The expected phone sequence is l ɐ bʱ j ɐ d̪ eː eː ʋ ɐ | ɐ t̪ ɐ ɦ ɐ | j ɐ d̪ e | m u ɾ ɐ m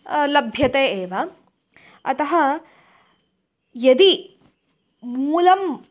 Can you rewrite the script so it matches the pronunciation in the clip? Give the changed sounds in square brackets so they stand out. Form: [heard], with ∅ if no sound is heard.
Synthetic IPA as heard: l ɐ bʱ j ɐ [t̪] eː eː ʋ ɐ | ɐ t̪ ɐ ɦ ɐ | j ɐ d̪ [i] | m u [l] ɐ m

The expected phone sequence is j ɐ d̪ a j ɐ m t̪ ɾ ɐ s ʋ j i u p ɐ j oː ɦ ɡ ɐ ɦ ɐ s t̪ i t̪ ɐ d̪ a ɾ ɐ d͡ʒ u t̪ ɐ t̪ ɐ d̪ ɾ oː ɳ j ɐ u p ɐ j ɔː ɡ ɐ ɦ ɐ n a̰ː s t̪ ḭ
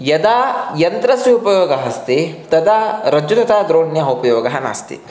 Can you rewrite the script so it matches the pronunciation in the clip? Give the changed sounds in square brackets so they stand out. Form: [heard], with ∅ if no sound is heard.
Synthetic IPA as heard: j ɐ d̪ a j ɐ [n] t̪ ɾ ɐ s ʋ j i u p ɐ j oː [∅] ɡ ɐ ɦ ɐ s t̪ i t̪ ɐ d̪ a ɾ ɐ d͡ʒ u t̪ ɐ t̪ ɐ d̪ ɾ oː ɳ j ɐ u p ɐ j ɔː ɡ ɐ ɦ ɐ n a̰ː s t̪ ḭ

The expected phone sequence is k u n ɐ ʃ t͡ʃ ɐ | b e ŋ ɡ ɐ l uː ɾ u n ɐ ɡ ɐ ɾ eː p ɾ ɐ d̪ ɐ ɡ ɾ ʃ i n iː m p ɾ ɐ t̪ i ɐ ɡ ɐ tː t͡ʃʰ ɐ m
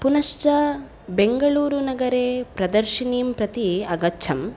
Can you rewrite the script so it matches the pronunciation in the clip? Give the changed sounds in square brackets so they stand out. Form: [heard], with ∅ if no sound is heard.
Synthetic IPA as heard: [p] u n ɐ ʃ t͡ʃ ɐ | b e ŋ ɡ ɐ [ɭ] uː ɾ u n ɐ ɡ ɐ ɾ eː p ɾ ɐ d̪ ɐ [∅] ɾ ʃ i n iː m p ɾ ɐ t̪ i ɐ ɡ ɐ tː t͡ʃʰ ɐ m

